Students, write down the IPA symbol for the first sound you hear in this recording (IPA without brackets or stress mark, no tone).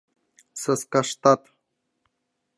s